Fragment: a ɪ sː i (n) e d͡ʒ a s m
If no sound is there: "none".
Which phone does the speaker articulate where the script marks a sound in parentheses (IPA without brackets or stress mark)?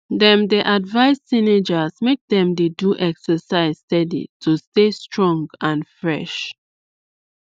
n